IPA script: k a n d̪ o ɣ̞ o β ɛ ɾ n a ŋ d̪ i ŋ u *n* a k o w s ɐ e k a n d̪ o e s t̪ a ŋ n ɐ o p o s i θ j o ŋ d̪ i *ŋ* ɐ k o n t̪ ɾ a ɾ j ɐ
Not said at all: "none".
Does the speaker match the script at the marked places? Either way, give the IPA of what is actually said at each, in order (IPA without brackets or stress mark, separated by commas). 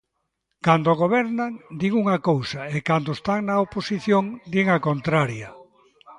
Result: ŋ, ŋ